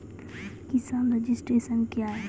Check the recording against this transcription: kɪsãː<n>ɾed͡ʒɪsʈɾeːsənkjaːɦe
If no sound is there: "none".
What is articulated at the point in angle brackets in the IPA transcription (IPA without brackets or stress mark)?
n